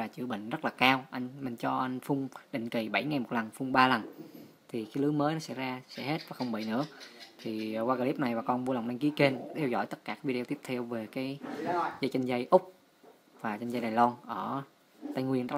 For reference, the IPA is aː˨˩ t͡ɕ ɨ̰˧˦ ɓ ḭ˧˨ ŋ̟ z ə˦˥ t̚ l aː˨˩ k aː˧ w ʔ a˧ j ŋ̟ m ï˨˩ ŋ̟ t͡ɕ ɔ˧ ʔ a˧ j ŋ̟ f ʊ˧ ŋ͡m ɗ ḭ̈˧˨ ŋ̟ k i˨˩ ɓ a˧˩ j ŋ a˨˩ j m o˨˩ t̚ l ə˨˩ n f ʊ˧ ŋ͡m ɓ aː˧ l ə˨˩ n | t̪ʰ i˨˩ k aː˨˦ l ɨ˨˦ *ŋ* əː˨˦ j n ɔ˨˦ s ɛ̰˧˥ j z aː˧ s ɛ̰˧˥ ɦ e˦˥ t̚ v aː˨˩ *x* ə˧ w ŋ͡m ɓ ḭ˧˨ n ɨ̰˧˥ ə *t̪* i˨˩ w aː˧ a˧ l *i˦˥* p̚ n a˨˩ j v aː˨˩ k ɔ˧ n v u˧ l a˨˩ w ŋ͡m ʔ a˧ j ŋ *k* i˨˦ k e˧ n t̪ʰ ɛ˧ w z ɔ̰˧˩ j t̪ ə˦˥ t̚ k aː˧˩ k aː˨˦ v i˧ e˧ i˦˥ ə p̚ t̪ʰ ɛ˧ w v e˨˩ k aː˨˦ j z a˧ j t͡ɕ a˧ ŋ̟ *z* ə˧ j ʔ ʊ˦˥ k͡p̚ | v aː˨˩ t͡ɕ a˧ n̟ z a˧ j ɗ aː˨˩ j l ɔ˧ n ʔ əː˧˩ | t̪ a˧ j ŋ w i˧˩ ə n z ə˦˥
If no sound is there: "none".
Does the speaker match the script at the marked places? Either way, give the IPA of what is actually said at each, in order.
m, x, t̪ʰ, i˦˥, k, z

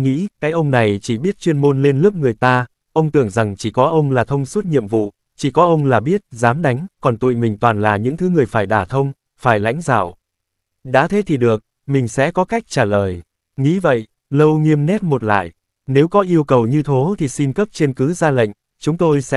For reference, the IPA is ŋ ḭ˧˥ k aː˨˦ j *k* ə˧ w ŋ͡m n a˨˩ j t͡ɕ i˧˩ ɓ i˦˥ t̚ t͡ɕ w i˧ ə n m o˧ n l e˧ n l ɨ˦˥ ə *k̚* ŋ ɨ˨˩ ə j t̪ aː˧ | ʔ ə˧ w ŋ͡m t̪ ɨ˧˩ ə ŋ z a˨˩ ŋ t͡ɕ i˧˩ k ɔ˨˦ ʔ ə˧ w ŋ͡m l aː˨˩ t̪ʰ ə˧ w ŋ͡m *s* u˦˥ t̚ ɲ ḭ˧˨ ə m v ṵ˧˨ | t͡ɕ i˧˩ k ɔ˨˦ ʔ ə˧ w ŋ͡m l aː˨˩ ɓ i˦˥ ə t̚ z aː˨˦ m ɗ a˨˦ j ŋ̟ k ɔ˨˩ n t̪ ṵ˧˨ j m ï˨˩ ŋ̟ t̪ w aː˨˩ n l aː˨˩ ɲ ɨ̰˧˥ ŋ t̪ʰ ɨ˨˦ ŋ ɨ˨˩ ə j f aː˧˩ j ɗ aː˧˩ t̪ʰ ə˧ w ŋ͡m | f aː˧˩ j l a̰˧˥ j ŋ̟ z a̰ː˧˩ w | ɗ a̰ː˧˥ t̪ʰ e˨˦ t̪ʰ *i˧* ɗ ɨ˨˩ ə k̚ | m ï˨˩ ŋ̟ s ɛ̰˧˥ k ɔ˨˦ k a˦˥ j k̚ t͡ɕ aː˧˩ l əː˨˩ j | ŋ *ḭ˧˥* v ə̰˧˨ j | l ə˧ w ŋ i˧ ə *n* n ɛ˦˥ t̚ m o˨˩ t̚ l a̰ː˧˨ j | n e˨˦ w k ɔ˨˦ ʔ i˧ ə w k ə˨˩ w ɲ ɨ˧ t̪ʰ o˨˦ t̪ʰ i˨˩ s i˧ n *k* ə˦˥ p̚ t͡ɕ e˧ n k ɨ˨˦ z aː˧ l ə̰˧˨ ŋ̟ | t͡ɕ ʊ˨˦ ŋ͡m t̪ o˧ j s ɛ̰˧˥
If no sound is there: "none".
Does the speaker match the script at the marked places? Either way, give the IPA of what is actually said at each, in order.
ʔ, p̚, s, i˨˩, ḭ˧˥, m, k

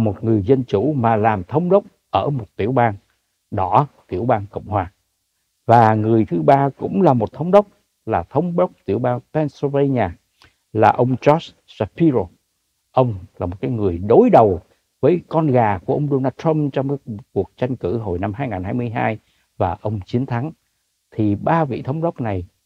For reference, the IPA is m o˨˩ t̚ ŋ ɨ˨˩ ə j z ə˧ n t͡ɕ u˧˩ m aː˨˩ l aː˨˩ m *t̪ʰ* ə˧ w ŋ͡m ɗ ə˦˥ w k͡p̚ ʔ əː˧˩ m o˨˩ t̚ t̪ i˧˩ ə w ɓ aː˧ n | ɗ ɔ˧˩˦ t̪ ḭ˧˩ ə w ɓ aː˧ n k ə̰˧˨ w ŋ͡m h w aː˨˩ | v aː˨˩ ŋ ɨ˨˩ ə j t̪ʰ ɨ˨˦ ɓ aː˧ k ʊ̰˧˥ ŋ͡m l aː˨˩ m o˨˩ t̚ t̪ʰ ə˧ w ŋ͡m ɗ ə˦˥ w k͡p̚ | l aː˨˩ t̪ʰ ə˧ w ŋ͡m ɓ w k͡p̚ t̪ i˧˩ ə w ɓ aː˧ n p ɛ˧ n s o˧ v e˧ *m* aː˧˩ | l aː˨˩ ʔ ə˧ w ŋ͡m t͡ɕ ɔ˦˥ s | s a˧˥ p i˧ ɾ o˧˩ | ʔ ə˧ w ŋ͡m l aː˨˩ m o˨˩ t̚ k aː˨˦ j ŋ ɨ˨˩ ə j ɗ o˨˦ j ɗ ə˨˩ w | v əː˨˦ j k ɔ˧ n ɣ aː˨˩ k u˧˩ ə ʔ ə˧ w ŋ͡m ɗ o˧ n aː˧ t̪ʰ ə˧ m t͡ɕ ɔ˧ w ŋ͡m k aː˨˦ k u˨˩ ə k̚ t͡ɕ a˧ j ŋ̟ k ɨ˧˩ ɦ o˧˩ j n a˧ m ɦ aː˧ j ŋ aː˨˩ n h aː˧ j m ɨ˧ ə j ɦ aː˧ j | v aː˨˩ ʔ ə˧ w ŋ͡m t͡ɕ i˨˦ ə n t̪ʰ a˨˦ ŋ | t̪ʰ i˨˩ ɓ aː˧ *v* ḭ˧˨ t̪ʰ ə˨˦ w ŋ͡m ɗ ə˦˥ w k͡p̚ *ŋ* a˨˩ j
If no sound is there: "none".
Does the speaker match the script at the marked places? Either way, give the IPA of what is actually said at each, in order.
t̪ʰ, ɲ, v, n

